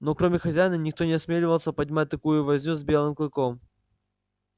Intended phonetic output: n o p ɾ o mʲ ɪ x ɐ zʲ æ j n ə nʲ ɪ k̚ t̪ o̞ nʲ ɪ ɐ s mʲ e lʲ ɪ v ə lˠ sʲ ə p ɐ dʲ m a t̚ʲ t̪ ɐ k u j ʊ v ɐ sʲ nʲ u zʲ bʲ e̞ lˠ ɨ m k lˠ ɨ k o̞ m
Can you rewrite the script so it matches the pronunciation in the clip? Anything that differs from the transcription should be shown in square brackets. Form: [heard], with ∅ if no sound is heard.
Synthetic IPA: n o [k] ɾ o mʲ ɪ x ɐ zʲ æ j n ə nʲ ɪ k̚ t̪ o̞ nʲ ɪ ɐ s mʲ e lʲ ɪ v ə lˠ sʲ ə p ɐ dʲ m a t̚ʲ t̪ ɐ k u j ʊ v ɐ [zʲ] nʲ u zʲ bʲ e̞ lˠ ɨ m k lˠ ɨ k o̞ m